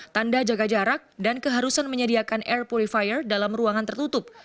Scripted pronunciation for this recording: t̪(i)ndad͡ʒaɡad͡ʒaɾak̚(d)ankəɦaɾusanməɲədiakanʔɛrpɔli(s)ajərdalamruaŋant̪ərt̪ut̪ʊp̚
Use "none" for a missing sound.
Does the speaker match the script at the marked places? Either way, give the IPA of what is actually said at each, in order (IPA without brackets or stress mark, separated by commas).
a, d, f